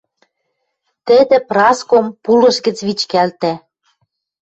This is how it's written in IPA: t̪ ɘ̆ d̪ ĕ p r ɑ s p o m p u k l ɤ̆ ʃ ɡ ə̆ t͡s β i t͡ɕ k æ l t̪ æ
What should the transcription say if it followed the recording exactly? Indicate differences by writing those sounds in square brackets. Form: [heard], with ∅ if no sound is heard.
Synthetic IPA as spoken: t̪ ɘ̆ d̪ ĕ p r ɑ s [k] o m p u [∅] l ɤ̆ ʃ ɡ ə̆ t͡s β i t͡ɕ k æ l t̪ æ

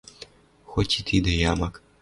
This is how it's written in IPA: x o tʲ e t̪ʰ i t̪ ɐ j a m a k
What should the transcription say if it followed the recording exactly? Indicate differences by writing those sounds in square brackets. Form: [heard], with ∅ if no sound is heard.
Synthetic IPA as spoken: x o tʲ [i] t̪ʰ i [d̪] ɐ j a m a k

